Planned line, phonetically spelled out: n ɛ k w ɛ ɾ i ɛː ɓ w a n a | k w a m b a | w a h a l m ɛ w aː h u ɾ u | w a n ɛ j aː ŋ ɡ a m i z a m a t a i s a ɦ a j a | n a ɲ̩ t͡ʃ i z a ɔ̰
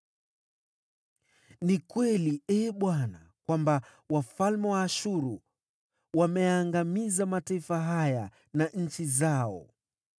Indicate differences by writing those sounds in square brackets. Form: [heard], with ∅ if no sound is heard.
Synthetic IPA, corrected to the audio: n [i] k w ɛ [l] i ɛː ɓ w a n a | k w a m b a | w a [f] a l m ɛ w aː [ʃ] u ɾ u | w a [m] ɛ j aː ŋ ɡ a m i z a m a t a i [f] a ɦ a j a | n a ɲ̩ t͡ʃ i z a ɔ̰